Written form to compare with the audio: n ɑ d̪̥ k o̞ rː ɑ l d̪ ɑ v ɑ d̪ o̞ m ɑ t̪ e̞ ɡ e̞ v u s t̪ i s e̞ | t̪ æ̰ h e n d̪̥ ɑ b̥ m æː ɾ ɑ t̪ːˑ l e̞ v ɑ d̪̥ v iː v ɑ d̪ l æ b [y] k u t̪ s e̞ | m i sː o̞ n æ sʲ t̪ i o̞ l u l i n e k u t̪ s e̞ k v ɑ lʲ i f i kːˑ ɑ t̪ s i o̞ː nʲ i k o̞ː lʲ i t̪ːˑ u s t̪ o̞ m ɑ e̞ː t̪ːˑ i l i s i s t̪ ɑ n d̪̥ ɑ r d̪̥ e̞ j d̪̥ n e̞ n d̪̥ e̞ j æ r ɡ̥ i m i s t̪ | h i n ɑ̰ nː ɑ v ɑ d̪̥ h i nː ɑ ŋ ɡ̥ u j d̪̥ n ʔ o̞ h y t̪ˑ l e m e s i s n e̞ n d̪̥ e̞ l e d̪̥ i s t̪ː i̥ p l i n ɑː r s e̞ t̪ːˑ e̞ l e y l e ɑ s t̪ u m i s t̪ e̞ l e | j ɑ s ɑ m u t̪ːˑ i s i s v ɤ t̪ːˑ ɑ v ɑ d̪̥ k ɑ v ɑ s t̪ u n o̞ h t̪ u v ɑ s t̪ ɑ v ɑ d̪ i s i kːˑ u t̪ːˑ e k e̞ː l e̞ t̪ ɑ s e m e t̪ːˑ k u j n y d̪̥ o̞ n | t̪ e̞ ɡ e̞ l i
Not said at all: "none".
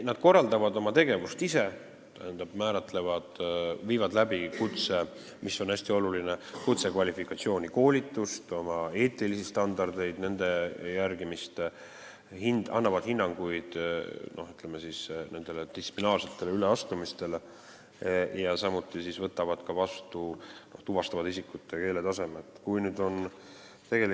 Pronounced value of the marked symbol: i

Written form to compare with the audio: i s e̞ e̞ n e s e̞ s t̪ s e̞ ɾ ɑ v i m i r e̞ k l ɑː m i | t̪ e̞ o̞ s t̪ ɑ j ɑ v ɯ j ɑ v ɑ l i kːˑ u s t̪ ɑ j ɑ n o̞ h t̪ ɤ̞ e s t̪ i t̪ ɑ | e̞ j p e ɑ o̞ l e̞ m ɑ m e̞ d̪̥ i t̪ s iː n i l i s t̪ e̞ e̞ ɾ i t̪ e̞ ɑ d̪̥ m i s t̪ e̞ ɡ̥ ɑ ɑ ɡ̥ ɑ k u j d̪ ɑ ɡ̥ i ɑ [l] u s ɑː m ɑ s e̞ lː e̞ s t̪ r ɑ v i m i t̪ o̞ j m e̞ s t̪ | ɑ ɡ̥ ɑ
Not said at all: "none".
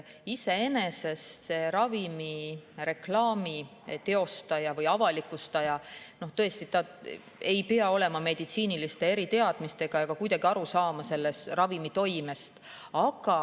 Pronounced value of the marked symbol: ɾ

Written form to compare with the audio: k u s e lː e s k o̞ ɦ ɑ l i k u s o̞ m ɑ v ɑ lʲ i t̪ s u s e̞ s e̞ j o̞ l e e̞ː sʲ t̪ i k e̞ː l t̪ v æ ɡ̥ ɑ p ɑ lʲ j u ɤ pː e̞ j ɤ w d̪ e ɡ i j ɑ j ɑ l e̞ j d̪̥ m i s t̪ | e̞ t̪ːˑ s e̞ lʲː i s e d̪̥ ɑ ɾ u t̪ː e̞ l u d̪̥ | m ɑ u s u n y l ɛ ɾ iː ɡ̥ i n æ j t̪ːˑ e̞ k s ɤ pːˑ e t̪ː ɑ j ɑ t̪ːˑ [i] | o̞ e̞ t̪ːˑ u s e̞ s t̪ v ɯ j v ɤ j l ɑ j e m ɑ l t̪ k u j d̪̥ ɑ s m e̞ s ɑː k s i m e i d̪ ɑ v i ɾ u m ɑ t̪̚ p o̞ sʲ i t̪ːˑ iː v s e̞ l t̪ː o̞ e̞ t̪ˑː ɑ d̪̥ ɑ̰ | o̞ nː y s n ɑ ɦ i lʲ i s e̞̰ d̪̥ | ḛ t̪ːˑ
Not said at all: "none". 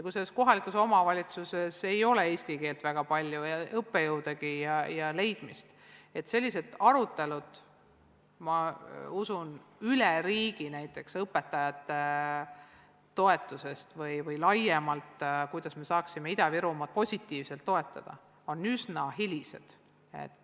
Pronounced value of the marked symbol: e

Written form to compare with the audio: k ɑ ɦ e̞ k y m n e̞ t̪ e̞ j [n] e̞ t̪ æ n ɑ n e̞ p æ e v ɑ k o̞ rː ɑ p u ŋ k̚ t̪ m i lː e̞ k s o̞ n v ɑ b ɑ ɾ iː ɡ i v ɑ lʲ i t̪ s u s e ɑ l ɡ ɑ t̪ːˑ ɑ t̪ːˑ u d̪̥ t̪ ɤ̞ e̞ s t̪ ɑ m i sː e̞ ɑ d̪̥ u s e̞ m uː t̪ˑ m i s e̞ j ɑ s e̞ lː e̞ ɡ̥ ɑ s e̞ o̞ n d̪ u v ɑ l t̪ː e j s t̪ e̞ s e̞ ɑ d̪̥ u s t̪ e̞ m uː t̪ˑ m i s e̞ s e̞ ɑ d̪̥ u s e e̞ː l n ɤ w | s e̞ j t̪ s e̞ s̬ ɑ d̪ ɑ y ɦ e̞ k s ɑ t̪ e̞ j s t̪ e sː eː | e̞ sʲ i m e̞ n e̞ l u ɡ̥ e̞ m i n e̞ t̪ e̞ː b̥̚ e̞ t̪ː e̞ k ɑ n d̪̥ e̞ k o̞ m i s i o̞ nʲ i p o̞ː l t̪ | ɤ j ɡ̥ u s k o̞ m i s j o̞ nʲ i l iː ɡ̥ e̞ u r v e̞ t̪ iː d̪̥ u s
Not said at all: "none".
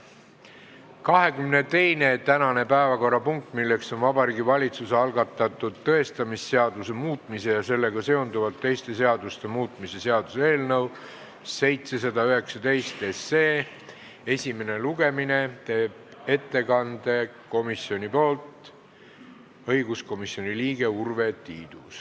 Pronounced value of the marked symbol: n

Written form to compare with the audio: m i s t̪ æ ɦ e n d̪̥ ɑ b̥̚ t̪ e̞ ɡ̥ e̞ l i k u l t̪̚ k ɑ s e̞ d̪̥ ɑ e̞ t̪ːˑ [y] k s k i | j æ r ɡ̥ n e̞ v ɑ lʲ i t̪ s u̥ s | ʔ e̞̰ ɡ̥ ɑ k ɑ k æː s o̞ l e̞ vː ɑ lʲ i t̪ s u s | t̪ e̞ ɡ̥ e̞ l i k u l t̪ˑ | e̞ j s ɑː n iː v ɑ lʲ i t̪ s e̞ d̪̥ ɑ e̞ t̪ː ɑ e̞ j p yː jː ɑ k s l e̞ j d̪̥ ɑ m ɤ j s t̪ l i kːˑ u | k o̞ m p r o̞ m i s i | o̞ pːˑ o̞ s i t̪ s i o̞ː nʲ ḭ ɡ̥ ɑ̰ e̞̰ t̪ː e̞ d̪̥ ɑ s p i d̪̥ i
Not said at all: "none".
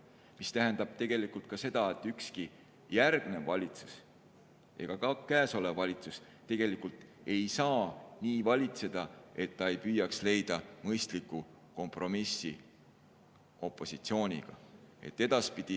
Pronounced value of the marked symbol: y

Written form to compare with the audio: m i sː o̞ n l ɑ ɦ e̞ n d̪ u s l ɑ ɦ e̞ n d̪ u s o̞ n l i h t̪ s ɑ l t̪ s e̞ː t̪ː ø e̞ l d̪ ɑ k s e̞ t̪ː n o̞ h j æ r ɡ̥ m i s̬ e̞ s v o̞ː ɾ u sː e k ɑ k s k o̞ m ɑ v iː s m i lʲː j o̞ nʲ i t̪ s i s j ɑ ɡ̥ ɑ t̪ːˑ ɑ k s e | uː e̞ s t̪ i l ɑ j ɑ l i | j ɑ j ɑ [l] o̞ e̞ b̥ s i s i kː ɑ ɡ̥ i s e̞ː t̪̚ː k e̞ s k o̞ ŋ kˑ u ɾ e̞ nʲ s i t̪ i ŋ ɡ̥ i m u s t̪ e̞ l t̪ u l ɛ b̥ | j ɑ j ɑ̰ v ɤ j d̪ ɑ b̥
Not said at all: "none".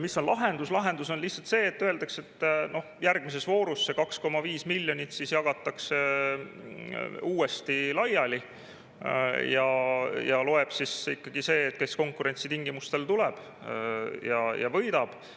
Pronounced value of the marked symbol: l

